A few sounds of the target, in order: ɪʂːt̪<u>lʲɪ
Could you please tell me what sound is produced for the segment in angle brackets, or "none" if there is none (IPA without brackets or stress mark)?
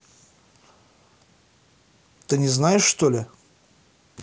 o